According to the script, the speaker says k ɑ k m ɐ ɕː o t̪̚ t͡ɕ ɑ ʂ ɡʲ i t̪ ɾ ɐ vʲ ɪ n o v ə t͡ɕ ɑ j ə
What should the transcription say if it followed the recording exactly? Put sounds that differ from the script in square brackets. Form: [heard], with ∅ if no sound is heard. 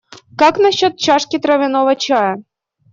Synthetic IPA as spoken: k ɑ k [n] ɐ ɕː o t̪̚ t͡ɕ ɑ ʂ [kʲ] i t̪ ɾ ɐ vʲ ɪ n o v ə t͡ɕ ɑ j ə